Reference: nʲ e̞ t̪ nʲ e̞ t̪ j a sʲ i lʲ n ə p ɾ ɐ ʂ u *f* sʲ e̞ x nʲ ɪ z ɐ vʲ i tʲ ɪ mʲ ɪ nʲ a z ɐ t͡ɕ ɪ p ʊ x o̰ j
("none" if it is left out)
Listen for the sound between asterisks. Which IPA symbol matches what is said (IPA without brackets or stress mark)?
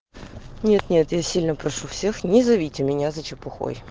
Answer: f